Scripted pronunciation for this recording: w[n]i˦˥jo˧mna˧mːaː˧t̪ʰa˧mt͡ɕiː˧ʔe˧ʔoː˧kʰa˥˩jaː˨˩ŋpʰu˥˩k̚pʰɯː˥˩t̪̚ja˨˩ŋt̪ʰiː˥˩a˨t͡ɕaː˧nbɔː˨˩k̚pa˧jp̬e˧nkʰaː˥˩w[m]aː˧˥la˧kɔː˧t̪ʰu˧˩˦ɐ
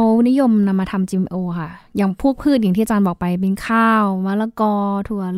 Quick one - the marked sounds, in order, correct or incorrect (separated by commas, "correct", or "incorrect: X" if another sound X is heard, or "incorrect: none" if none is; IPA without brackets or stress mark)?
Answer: correct, correct